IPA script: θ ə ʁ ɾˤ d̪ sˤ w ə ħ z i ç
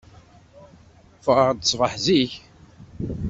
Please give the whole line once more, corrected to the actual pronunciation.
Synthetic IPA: f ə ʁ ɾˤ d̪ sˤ v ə ħ z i ç